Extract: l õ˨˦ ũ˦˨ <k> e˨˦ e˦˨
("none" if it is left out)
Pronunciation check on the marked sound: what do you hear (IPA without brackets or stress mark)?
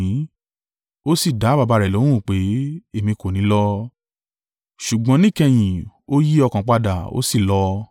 k͡p